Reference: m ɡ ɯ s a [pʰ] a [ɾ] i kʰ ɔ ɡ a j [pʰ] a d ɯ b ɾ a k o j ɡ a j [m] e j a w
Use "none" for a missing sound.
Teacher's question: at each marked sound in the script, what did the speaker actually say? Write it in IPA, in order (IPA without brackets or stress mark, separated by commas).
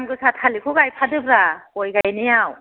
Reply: tʰ, l, pʰ, n